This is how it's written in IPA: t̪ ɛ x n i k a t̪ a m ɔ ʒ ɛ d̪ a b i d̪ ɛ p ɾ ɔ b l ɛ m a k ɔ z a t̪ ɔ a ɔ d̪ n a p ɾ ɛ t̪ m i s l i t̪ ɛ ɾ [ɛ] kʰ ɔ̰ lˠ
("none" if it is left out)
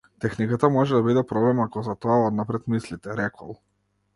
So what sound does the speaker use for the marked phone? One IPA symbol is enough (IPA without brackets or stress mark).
ɛ